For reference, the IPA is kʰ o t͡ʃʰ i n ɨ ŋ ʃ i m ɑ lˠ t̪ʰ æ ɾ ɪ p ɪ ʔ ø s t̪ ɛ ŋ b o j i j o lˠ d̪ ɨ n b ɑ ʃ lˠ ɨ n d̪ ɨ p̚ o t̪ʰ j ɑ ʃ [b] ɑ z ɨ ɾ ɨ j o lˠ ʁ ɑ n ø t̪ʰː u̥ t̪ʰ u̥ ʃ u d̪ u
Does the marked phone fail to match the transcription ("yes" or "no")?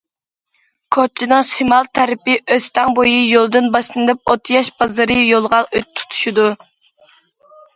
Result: no